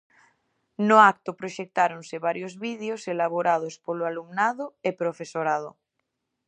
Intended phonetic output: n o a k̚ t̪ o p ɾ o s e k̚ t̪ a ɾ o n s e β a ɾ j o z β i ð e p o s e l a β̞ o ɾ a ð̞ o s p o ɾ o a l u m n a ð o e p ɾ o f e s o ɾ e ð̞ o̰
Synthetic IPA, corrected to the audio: n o a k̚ t̪ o p ɾ o ʃ e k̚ t̪ a ɾ o n s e β a ɾ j o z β i ð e o s e l a β̞ o ɾ a ð̞ o s p o l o a l u m n a ð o e p ɾ o f e s o ɾ a ð̞ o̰